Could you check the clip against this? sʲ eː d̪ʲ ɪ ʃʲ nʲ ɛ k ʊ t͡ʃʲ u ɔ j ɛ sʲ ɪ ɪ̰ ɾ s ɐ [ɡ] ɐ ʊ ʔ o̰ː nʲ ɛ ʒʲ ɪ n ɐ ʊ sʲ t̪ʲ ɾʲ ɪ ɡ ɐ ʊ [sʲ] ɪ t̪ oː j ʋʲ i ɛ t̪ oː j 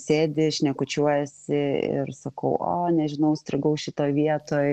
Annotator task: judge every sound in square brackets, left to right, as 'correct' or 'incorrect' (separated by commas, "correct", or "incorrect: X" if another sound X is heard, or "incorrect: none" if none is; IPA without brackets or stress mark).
incorrect: k, incorrect: ʃʲ